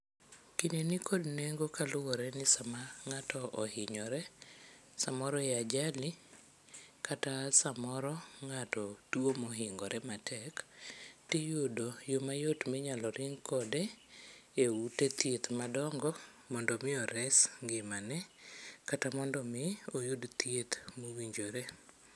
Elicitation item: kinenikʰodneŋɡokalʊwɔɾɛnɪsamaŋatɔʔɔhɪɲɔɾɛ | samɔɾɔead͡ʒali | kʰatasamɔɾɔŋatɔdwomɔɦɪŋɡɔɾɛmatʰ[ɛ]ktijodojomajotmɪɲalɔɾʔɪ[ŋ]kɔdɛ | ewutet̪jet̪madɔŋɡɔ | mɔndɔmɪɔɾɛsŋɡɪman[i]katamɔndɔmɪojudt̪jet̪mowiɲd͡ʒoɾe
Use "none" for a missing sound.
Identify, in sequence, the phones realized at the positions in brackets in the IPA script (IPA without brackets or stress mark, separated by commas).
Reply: ɛ, ŋ, ɛ